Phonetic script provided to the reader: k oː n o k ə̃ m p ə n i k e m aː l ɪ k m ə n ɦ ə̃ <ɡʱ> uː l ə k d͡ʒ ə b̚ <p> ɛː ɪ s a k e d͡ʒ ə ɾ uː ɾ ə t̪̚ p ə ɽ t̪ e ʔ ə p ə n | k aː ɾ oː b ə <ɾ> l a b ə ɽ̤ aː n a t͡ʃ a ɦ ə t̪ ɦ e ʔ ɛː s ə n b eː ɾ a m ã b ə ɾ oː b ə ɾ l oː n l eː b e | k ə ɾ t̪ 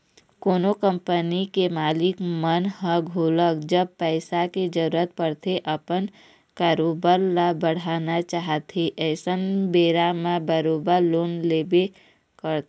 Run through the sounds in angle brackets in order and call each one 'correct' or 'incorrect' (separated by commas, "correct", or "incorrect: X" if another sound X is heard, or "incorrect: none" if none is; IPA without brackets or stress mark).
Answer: correct, correct, correct